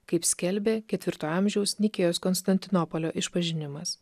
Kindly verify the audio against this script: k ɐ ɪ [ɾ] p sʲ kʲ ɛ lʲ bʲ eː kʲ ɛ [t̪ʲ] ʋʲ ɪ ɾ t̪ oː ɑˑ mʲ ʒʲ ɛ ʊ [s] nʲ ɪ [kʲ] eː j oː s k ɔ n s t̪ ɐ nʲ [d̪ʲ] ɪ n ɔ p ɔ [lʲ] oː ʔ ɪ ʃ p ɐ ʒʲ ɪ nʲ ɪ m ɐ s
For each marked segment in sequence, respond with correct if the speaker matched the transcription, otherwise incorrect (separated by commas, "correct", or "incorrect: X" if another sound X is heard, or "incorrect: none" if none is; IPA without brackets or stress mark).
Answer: incorrect: none, correct, correct, correct, incorrect: t̪ʲ, correct